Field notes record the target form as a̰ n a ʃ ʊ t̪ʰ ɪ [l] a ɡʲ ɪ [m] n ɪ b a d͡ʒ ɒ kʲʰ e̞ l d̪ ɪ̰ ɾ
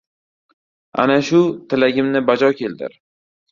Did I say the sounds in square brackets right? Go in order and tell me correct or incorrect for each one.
correct, correct

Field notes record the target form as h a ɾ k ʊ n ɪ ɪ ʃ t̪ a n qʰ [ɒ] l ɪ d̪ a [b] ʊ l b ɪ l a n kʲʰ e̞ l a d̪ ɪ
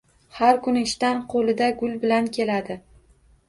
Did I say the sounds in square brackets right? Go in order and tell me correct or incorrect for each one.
incorrect, incorrect

